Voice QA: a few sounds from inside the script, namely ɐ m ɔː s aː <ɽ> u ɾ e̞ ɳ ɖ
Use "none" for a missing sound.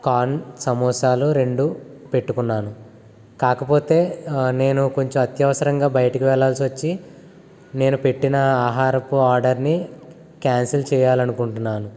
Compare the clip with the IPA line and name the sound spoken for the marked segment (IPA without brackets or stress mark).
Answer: l